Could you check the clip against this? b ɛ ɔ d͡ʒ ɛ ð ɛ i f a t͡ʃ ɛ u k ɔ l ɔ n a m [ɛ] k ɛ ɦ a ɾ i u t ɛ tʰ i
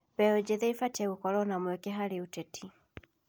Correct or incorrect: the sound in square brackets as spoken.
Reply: correct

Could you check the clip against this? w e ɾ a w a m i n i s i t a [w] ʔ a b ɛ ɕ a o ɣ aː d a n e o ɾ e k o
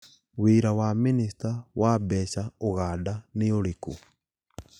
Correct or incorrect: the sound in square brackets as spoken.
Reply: correct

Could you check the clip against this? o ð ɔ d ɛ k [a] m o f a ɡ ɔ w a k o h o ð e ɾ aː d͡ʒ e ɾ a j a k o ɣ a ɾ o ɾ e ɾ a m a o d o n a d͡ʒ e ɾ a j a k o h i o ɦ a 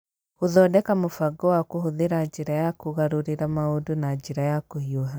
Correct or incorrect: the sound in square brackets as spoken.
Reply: correct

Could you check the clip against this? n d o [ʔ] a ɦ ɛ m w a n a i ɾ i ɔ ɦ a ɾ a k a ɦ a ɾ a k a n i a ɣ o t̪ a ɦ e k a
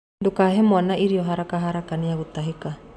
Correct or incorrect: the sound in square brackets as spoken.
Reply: incorrect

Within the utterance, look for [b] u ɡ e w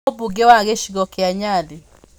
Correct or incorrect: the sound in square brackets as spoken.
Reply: correct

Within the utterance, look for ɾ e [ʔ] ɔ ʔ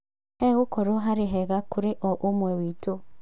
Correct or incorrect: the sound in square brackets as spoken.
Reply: correct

